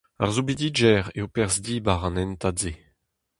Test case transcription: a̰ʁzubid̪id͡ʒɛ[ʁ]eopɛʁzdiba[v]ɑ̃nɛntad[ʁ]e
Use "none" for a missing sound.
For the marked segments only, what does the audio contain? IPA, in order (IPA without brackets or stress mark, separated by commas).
ʁ, ʁ, z